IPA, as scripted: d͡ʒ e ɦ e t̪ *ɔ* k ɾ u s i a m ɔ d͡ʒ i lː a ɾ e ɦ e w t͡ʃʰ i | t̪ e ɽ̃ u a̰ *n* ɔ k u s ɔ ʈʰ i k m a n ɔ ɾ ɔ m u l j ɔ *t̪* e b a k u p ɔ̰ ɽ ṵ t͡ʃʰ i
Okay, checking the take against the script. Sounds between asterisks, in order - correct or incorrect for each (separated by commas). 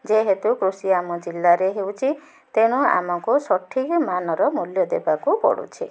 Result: incorrect, incorrect, incorrect